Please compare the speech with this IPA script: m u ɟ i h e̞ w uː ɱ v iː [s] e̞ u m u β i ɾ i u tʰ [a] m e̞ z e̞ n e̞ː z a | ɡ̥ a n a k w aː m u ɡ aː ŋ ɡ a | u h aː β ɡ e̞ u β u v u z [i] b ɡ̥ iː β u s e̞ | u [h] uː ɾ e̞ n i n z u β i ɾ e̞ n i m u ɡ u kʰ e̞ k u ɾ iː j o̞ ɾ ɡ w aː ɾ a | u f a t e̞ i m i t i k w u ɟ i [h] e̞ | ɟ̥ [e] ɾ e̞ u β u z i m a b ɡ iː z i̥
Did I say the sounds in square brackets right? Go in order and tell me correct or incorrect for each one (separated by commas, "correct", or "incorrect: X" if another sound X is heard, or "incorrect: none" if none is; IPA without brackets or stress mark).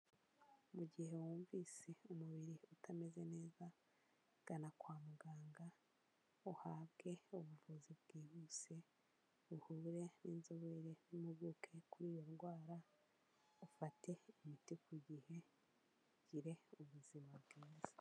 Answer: correct, correct, correct, correct, correct, incorrect: i